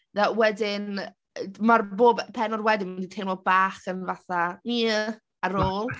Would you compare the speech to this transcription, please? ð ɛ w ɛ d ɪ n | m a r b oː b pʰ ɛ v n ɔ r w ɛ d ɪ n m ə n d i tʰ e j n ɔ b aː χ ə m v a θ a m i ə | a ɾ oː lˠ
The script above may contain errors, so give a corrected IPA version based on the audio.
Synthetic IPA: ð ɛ w ɛ d ɪ n | m a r b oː b pʰ ɛ n ɔ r w ɛ d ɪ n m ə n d i tʰ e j n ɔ b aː χ ə n v a θ a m i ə | a ɾ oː lˠ